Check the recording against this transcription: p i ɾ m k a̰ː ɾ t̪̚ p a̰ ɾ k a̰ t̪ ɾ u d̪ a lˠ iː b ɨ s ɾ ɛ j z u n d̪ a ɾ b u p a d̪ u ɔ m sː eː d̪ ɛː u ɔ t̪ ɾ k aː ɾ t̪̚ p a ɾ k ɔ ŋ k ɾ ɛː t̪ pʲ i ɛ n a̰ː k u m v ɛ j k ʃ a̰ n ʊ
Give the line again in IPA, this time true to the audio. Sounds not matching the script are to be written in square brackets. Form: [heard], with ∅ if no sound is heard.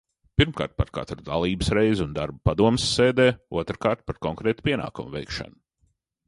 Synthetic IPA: p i ɾ m k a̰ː ɾ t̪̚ p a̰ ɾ k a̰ t̪ ɾ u d̪ a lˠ iː b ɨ s ɾ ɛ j z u n d̪ a ɾ b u p a d̪ u ɔ m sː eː d̪ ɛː u ɔ t̪ ɾ k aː ɾ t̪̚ p a ɾ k ɔ ŋ k ɾ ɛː t̪ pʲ i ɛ n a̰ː k u m v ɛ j k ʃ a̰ n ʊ